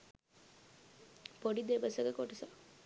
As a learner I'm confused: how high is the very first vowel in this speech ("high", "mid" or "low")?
mid